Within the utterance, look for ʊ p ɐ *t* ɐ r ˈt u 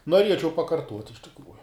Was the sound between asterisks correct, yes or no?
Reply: no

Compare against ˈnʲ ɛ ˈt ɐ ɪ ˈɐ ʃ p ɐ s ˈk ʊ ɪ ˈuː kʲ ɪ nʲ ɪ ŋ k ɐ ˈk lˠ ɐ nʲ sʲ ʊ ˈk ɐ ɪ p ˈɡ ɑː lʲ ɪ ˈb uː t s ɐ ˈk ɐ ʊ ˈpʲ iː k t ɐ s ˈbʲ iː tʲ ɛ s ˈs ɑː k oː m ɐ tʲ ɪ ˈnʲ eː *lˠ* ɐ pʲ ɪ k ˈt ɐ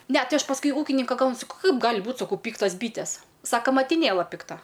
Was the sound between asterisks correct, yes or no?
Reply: yes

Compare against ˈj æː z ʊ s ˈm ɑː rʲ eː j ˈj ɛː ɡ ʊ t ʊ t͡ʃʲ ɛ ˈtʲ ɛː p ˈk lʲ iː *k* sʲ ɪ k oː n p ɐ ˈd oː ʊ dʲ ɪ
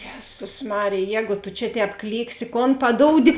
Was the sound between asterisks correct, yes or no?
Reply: yes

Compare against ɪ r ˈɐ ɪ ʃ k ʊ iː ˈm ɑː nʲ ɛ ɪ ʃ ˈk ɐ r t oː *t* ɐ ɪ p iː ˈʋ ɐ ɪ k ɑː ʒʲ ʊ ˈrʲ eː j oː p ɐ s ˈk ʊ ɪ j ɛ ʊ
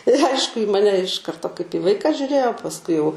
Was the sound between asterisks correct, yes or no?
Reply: no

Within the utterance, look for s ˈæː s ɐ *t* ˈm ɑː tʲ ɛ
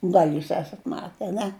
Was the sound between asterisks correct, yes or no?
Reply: yes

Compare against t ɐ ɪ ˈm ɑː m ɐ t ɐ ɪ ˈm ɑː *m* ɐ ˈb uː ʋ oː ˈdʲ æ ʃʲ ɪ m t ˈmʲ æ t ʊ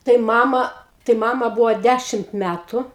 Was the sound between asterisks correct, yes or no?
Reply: yes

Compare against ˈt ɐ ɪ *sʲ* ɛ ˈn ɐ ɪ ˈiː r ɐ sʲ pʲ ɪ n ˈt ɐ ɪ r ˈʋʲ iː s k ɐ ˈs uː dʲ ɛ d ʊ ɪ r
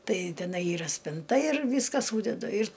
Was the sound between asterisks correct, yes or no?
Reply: no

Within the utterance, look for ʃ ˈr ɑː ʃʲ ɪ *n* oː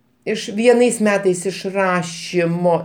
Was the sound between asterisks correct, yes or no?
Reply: no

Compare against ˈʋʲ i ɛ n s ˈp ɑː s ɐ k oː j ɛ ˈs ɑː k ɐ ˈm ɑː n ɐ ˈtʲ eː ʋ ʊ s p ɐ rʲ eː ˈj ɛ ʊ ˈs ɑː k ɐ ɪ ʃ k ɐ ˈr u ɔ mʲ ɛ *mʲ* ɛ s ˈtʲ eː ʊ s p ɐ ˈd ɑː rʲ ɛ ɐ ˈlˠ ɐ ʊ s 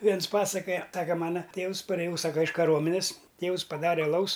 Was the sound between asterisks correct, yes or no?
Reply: no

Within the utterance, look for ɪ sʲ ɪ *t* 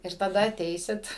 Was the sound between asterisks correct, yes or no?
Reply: yes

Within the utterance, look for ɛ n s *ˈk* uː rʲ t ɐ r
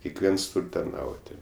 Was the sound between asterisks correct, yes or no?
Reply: no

